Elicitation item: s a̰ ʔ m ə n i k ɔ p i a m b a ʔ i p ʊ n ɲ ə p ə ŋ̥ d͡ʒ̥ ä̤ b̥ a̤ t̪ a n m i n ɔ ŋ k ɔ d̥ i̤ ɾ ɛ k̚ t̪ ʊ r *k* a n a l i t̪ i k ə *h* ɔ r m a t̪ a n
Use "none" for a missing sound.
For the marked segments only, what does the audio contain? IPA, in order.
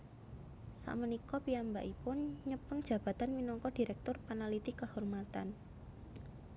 p, h

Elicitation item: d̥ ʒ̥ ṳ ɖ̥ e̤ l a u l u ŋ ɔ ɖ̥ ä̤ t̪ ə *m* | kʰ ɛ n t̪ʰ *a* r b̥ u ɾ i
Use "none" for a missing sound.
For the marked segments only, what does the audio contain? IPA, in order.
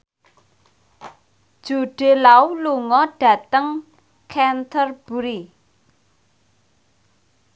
ŋ, ə

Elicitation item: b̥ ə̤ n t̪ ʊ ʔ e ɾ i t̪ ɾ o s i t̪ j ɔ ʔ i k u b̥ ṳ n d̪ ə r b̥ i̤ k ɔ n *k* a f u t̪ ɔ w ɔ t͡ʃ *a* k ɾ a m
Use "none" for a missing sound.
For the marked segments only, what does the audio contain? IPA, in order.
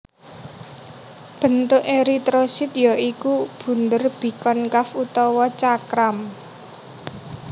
k, a

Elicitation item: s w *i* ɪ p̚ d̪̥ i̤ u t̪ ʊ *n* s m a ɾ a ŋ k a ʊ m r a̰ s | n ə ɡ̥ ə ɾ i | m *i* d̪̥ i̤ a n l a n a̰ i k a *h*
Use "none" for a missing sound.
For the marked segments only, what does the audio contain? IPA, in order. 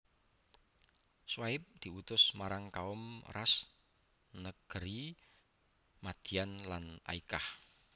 a, none, a, h

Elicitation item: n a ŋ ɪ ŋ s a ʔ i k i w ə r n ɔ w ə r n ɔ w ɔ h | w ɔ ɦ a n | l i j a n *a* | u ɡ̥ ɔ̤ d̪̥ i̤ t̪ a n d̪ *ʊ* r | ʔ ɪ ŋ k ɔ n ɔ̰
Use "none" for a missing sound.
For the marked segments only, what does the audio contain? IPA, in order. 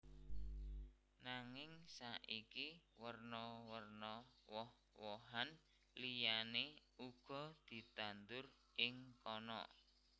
e, ʊ

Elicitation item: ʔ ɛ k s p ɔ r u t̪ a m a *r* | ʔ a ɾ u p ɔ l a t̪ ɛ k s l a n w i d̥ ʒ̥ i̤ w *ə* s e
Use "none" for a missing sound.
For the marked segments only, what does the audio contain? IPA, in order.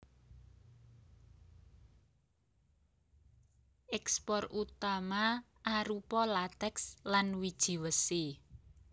none, ə

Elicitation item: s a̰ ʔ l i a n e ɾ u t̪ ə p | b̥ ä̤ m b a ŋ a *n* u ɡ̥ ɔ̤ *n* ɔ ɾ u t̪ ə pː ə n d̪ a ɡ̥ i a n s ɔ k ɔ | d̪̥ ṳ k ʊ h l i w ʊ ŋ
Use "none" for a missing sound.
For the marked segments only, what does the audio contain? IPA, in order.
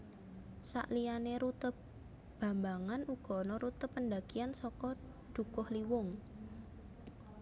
n, n

